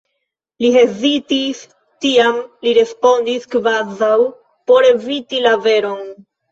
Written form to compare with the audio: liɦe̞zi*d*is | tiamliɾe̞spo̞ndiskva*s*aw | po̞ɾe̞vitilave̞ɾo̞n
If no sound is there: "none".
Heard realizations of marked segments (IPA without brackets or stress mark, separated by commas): t, z